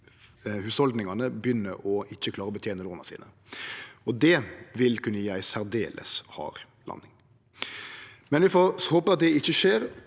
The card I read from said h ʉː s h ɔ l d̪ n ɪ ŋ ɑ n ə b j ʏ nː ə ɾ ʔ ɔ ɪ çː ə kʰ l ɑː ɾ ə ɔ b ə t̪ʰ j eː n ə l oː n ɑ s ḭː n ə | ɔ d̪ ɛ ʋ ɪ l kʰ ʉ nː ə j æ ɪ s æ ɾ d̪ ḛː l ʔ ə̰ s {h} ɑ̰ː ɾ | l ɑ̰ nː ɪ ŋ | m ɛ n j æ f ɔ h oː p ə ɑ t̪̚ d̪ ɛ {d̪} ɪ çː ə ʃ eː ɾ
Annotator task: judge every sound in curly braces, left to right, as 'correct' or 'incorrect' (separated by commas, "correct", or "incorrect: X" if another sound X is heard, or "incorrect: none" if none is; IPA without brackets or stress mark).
correct, incorrect: none